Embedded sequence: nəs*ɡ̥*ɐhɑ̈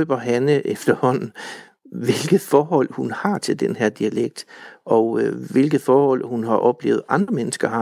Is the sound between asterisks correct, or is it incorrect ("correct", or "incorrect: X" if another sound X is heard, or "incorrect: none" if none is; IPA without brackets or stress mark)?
correct